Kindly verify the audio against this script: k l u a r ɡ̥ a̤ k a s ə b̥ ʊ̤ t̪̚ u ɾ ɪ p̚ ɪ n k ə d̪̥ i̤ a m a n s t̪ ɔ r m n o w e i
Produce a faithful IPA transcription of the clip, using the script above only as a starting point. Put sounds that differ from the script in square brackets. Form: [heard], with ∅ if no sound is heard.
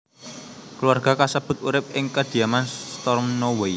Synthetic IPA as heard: k l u a r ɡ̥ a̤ k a s ə b̥ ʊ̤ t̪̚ u ɾ ɪ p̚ ɪ [ŋ] k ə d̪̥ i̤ a m a n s t̪ ɔ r m n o w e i

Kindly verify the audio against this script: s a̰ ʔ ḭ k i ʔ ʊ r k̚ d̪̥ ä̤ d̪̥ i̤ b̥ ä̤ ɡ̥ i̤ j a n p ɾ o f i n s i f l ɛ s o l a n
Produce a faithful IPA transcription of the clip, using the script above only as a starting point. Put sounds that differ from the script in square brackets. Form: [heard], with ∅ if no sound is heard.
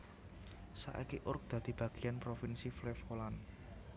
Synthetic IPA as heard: s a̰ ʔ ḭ k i ʔ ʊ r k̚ d̪̥ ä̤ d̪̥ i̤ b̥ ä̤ ɡ̥ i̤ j a n p ɾ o f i n s i f l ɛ [f] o l a n

